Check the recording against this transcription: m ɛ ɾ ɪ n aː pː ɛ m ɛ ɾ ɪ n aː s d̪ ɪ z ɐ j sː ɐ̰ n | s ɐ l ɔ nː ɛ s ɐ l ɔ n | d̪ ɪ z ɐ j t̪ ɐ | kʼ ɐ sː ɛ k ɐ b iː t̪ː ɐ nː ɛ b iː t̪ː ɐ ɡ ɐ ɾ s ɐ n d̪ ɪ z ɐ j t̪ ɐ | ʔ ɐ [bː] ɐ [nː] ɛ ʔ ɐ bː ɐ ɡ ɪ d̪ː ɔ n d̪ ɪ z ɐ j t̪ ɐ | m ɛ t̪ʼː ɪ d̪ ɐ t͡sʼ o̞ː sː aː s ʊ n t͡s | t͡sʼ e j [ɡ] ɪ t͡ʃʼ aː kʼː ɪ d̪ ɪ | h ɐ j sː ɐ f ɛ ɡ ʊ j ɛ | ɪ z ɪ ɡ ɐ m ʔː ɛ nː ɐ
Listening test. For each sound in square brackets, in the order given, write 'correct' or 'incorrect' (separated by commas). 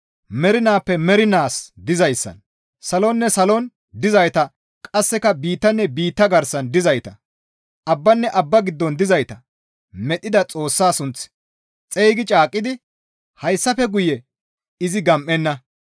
correct, correct, correct